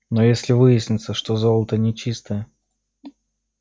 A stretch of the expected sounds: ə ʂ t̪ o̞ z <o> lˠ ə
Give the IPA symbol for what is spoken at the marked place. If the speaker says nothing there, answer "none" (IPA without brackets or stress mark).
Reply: o